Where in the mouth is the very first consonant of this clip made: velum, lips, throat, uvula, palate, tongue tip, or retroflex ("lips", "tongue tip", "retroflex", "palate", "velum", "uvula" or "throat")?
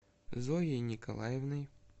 tongue tip